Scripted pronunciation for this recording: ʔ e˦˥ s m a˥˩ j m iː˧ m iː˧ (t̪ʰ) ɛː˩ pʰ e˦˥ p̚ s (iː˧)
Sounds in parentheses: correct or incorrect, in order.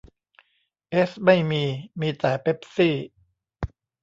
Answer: incorrect: t̪, incorrect: iː˥˩

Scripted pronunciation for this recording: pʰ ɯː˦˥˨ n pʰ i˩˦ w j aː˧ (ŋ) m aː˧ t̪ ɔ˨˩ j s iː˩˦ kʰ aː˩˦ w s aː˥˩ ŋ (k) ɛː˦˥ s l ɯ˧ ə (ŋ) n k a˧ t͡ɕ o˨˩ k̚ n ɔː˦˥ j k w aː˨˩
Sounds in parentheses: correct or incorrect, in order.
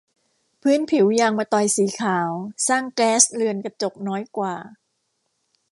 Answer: correct, correct, incorrect: none

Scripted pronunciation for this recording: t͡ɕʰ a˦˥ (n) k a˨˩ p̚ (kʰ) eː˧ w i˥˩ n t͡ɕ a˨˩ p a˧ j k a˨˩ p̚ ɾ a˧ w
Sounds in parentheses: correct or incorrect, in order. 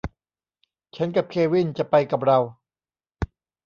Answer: correct, correct

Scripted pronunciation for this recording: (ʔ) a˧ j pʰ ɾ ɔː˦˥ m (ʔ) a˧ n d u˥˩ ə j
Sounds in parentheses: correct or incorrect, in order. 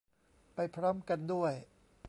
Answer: incorrect: p, incorrect: k

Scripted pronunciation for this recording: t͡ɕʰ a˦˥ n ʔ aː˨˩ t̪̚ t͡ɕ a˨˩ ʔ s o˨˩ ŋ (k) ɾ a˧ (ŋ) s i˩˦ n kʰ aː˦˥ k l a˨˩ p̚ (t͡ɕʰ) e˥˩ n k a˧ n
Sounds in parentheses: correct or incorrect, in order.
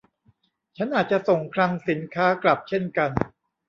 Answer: incorrect: kʰ, correct, correct

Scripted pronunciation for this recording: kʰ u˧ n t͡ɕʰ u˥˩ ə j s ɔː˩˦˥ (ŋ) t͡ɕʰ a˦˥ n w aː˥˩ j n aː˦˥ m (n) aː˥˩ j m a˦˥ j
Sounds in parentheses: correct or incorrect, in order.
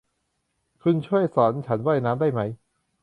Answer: incorrect: n, incorrect: d

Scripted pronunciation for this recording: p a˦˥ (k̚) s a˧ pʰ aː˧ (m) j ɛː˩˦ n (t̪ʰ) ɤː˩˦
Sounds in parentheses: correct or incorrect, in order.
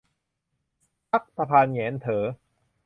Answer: correct, incorrect: n, correct

